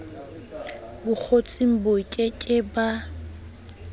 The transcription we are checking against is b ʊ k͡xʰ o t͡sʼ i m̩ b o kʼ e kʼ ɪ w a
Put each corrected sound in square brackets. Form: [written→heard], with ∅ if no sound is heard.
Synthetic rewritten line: b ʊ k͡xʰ o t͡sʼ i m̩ b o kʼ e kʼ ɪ [w→b] a